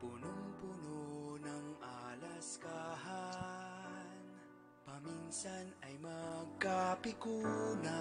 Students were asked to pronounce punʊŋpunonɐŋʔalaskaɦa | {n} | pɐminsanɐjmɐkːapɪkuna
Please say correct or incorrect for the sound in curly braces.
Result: correct